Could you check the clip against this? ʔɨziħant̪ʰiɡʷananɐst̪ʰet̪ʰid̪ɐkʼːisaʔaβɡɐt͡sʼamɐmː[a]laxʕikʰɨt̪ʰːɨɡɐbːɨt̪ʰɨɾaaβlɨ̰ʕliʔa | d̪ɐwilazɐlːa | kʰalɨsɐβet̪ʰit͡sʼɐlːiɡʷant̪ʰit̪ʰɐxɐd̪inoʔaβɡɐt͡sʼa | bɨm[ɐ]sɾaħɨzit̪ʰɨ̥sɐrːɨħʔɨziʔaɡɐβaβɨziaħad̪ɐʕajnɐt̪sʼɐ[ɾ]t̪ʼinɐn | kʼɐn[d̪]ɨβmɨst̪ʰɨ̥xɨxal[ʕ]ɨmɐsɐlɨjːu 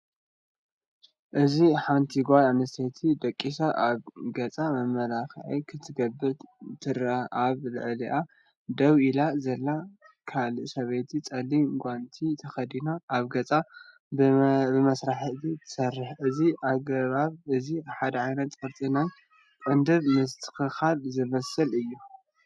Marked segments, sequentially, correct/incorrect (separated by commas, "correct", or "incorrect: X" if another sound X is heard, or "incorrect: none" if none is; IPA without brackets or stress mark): incorrect: ɐ, correct, correct, correct, incorrect: z